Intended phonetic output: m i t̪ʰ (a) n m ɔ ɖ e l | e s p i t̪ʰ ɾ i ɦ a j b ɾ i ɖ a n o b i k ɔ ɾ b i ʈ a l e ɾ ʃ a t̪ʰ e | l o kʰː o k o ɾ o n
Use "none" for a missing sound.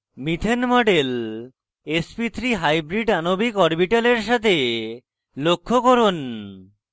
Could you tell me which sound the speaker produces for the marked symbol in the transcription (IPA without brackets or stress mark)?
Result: e